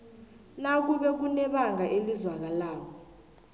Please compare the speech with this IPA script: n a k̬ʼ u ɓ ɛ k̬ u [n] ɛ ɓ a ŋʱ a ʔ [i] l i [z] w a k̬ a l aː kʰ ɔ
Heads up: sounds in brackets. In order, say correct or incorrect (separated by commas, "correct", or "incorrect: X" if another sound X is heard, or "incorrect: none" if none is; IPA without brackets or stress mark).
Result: correct, incorrect: e, correct